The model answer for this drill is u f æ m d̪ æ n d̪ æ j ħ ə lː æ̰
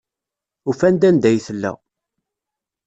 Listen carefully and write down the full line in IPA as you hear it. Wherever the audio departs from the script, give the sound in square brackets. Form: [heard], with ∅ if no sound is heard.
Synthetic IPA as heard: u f æ [n] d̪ æ n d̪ æ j [θ] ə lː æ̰